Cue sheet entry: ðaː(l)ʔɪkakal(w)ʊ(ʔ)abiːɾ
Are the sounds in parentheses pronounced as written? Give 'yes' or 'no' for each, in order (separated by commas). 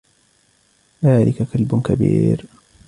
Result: yes, no, no